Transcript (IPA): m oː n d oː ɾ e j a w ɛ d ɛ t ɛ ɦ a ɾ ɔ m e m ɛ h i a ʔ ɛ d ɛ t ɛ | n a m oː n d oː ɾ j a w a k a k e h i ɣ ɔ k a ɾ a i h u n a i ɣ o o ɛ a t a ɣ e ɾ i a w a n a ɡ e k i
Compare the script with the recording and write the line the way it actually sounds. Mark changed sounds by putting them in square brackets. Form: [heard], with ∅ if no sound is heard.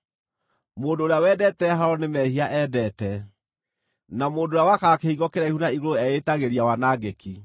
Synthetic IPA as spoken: m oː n d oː ɾ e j a w ɛ d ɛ t ɛ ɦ a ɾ ɔ [n] e m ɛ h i a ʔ ɛ d ɛ t ɛ | n a m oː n d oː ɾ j a w a k a k e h i ɣ ɔ k [e] ɾ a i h u n a i ɣ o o ɛ [e] t a ɣ e ɾ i a w a n a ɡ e k i